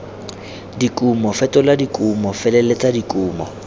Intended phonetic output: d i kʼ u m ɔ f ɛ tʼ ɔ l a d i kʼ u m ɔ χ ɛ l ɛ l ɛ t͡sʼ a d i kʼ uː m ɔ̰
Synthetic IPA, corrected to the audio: d i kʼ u m ɔ f ɛ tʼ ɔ l a d i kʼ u m ɔ f ɛ l ɛ l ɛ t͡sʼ a d i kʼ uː m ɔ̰